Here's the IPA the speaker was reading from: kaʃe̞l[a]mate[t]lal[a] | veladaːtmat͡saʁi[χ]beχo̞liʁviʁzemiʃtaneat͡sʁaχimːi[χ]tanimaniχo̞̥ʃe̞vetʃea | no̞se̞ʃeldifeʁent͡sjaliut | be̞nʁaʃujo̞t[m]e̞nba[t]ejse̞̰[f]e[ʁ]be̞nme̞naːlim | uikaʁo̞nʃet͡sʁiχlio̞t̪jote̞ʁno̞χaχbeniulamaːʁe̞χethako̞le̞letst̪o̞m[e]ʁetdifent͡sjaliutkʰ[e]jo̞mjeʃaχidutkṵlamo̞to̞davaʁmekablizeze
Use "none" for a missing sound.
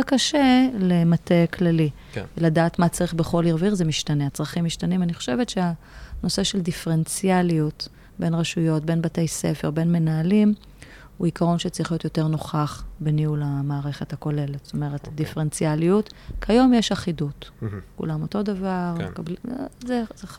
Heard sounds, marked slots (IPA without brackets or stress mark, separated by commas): e, k, i, χ, ʃ, b, t, f, ʁ, e, a